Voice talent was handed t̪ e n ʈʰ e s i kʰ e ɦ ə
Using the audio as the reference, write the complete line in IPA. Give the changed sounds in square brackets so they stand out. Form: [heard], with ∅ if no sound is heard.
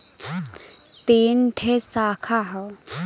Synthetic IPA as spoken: t̪ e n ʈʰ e s [a] kʰ [a] ɦ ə

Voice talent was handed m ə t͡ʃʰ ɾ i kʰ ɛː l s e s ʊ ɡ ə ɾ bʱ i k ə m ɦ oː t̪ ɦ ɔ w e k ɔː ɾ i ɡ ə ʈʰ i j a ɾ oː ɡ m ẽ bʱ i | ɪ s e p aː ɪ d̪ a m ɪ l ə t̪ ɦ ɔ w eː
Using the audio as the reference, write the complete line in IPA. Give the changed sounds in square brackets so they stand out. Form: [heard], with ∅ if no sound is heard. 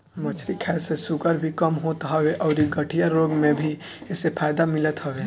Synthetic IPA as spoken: m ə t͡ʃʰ ɾ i kʰ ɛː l s e s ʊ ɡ ə ɾ bʱ i k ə m ɦ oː t̪ ɦ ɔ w e [ʔ] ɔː ɾ i ɡ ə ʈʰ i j a ɾ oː ɡ m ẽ bʱ i | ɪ s e [pʰ] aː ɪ d̪ a m ɪ l ə t̪ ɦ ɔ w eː

